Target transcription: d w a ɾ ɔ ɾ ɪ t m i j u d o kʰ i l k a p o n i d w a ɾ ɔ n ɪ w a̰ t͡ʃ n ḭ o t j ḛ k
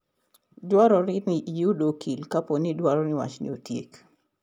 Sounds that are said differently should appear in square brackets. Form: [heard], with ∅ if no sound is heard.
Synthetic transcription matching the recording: d w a ɾ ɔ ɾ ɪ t [n] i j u d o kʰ i l k a p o n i d w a ɾ ɔ n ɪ w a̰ t͡ʃ n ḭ o t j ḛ k